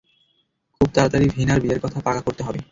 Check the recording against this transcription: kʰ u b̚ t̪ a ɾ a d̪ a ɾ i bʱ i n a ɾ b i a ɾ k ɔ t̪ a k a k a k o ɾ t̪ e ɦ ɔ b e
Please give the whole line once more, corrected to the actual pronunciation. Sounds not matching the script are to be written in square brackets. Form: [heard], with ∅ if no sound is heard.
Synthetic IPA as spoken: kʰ u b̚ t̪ a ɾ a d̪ a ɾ i bʱ i n a ɾ b i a ɾ k ɔ [t̪ʰ] a [p] a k a k o ɾ t̪ e ɦ ɔ b e